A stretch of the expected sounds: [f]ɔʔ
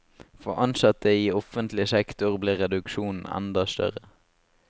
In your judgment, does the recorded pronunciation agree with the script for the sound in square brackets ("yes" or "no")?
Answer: yes